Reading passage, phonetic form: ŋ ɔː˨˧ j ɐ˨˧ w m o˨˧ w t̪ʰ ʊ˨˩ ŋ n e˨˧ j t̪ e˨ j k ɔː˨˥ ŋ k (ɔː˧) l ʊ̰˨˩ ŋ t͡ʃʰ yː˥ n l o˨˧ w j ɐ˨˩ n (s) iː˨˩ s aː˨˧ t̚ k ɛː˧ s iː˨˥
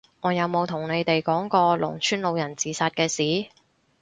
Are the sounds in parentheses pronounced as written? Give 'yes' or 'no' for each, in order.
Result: yes, no

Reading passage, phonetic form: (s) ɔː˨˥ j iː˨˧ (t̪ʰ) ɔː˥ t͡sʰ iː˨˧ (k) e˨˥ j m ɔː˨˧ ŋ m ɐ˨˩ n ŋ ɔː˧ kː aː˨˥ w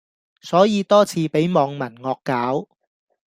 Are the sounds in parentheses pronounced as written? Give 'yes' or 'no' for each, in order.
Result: yes, no, no

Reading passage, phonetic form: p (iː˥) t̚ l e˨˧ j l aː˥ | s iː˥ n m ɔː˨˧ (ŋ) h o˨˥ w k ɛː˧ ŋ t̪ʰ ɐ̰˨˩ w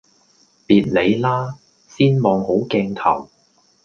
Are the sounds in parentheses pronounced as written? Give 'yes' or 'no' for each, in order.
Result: no, yes

